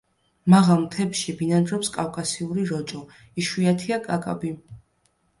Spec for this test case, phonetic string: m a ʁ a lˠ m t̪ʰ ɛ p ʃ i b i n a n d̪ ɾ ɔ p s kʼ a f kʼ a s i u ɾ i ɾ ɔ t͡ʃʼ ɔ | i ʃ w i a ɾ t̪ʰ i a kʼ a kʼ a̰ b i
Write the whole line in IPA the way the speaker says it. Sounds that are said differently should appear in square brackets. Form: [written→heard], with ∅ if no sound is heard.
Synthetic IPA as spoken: m a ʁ a lˠ m t̪ʰ ɛ p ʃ i b i n a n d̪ ɾ ɔ p s kʼ a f kʼ a s i u ɾ i ɾ ɔ t͡ʃʼ ɔ | i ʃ w i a [ɾ→∅] t̪ʰ i a kʼ a kʼ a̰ b i

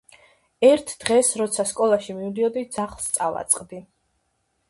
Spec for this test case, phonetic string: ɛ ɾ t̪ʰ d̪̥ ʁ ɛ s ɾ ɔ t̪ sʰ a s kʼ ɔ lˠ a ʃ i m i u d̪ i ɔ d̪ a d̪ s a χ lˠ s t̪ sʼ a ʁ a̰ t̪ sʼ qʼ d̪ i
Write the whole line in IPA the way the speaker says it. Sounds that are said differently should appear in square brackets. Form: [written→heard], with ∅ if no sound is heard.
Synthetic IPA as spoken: ɛ ɾ t̪ʰ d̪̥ ʁ ɛ s ɾ ɔ t̪ sʰ a s kʼ ɔ lˠ a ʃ i m i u d̪ i ɔ d̪ [a→i] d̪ [s→z] a χ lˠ s t̪ sʼ a [ʁ→v] a̰ t̪ sʼ qʼ d̪ i

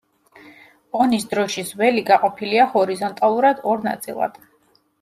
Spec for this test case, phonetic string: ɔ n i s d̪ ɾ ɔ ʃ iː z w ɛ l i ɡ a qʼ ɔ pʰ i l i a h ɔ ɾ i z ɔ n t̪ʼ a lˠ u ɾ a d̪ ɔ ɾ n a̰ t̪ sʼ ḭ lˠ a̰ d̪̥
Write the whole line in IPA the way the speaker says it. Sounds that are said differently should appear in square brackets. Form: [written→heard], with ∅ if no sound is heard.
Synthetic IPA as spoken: ɔ n i s d̪ ɾ ɔ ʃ [iː→i] z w ɛ l i ɡ a qʼ ɔ pʰ i l i a h ɔ ɾ i z ɔ n t̪ʼ a lˠ u ɾ a d̪ ɔ ɾ n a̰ t̪ sʼ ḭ lˠ a̰ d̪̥

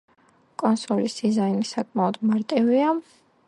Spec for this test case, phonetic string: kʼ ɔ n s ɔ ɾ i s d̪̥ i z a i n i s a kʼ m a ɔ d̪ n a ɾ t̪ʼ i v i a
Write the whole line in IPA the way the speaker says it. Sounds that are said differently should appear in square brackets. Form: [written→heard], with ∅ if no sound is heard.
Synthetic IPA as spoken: kʼ ɔ n s ɔ [ɾ→l] i s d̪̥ i z a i n i s a kʼ m a ɔ d̪ [n→m] a ɾ t̪ʼ i v i a

